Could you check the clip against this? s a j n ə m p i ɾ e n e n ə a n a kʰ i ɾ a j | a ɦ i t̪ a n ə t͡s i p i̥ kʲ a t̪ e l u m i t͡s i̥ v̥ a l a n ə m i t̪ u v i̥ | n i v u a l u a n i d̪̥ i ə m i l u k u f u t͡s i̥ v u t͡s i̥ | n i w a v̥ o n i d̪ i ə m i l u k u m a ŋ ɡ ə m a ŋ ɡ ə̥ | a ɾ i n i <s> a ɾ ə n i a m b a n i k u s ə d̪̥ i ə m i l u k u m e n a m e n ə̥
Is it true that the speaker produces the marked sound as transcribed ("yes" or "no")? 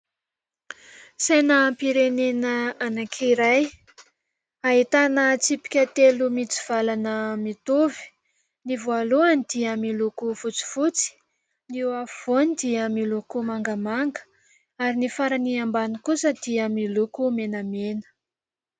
no